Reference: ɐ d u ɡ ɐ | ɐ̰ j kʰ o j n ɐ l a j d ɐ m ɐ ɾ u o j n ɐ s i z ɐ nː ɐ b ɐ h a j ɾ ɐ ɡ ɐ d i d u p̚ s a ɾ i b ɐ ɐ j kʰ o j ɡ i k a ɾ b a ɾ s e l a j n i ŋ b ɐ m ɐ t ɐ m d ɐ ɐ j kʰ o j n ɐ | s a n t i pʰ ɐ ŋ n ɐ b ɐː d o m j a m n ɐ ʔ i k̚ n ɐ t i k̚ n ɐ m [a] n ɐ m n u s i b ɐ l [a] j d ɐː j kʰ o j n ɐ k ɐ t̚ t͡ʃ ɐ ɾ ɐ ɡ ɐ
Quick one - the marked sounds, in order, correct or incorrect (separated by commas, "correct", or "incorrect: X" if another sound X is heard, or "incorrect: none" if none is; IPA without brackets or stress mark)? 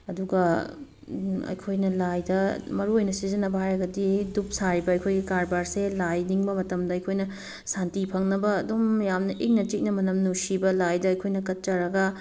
incorrect: ɐ, correct